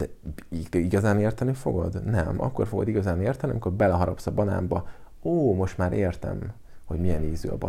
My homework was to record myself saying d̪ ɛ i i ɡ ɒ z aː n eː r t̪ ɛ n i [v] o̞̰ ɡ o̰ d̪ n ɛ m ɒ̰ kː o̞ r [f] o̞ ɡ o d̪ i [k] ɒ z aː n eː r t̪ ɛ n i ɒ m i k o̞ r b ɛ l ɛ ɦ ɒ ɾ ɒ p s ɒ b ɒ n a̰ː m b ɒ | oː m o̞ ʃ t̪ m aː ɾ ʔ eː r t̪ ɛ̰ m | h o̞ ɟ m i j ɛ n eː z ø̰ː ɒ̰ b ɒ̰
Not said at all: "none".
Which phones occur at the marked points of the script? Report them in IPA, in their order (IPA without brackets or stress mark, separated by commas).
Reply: f, f, ɡ